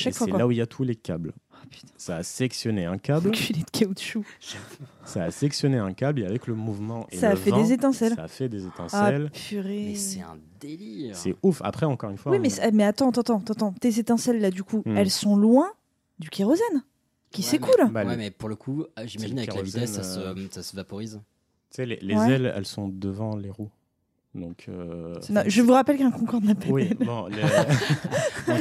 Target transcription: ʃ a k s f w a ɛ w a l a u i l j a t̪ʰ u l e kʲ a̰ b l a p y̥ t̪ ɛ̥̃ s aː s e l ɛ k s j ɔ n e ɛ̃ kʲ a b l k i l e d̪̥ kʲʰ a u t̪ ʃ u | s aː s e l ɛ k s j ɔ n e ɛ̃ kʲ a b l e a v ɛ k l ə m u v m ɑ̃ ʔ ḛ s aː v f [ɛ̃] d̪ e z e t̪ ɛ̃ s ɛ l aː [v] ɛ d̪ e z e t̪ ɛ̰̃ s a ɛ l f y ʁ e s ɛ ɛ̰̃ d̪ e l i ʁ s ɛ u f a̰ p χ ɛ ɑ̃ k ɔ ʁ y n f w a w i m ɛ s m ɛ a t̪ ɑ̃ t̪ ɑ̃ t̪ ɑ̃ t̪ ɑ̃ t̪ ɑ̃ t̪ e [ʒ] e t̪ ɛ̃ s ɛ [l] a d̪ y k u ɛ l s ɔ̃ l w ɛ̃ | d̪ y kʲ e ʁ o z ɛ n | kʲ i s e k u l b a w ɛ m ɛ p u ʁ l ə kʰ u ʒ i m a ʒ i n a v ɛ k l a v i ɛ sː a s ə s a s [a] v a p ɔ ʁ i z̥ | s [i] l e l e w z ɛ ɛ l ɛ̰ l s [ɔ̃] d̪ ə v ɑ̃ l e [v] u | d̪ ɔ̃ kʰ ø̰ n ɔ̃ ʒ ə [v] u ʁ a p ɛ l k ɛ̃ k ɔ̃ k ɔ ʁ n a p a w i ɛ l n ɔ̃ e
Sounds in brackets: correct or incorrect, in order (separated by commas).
incorrect, incorrect, incorrect, incorrect, incorrect, incorrect, correct, incorrect, correct